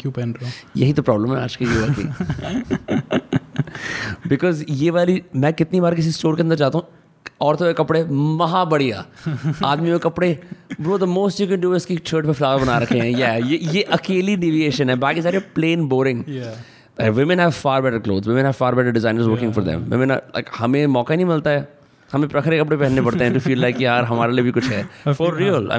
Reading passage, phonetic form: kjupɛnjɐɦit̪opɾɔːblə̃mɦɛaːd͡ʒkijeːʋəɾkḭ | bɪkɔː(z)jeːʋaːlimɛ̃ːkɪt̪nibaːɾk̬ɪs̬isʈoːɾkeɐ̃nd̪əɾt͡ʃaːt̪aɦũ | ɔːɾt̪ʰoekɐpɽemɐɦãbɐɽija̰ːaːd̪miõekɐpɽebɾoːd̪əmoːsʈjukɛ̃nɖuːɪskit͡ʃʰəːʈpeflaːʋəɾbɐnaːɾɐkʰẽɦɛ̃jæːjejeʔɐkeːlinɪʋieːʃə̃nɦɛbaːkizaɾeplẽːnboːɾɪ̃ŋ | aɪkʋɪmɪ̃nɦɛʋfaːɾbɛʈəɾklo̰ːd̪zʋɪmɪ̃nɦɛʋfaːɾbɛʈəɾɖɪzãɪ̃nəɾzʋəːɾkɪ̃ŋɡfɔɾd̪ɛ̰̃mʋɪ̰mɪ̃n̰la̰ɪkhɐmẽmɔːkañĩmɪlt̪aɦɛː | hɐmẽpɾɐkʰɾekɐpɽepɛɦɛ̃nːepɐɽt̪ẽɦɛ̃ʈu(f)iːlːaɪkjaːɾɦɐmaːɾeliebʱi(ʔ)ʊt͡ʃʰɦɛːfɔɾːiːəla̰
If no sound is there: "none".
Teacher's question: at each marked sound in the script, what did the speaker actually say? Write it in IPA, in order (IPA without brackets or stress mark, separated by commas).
z, f, k